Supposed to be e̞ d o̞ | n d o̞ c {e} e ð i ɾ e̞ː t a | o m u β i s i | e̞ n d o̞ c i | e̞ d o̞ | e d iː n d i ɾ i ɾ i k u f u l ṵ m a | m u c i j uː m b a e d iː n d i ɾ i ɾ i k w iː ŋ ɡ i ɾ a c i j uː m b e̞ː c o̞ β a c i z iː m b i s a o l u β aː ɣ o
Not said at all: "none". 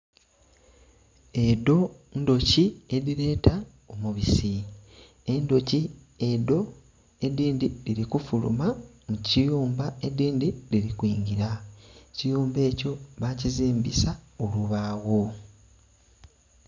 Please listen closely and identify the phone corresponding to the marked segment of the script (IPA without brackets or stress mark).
i